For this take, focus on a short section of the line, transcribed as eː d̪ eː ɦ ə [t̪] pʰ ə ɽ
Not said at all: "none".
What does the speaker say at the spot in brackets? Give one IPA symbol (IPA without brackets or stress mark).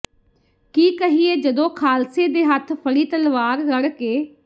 t̪ʰ